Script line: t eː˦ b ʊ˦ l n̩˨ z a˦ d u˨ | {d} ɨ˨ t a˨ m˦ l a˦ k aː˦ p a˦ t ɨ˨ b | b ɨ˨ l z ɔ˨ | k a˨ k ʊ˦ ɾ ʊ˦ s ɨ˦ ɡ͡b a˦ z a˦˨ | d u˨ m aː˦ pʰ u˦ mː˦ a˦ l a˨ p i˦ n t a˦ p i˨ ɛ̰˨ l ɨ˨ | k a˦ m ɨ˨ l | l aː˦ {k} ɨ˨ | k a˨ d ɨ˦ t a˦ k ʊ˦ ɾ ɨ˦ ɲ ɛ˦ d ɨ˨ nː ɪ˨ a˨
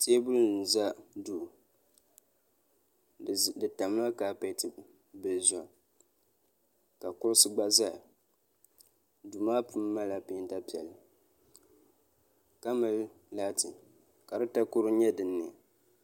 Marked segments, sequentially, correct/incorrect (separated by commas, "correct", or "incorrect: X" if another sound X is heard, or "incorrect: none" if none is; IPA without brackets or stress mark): correct, incorrect: t